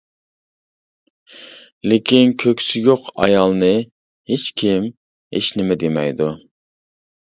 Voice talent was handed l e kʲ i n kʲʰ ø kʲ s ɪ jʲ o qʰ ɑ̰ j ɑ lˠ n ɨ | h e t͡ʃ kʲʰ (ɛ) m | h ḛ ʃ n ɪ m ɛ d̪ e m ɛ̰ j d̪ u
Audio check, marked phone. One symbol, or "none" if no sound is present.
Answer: i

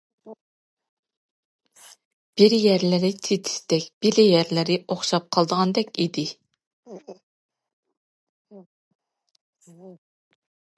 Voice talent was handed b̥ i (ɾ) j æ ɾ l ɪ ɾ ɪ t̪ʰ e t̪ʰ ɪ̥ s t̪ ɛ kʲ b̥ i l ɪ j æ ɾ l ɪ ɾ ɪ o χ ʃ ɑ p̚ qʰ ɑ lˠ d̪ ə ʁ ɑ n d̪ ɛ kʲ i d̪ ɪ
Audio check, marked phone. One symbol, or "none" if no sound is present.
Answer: ɾ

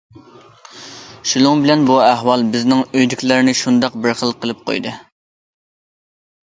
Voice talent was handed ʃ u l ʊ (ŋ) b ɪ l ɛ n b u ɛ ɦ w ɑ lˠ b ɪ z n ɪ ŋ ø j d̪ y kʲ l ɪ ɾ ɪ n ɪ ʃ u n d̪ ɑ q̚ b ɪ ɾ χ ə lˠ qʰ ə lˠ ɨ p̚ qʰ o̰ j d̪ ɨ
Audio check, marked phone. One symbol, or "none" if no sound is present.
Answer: ŋ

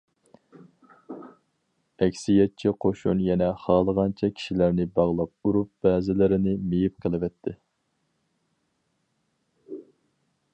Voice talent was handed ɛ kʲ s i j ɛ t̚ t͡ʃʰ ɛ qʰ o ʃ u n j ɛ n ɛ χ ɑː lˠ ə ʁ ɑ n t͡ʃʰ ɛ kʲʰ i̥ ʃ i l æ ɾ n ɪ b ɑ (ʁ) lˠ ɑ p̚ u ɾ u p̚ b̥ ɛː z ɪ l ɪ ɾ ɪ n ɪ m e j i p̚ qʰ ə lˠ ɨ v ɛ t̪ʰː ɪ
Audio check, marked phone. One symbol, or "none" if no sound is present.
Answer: ʁ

